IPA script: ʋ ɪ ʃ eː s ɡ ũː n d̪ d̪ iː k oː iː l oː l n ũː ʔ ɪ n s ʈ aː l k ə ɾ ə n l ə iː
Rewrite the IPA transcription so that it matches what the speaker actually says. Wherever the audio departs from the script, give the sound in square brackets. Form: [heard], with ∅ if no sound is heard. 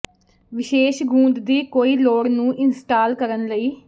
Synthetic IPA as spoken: ʋ ɪ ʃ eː [ʃ] ɡ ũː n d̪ d̪ iː k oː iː l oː [ɽ] n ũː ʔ ɪ n s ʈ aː l k ə ɾ ə n l ə iː